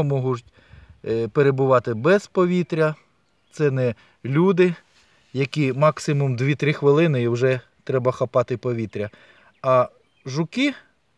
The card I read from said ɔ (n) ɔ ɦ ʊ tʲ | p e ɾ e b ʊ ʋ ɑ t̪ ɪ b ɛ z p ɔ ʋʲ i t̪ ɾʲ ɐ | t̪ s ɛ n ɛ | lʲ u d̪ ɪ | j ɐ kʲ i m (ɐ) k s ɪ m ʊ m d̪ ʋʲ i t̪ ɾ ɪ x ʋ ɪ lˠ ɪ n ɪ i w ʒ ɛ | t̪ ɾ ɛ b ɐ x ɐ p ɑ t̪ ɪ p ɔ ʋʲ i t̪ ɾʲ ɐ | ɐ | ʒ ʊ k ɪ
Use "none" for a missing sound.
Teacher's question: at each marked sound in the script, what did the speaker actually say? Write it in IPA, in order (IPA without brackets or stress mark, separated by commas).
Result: m, ɑ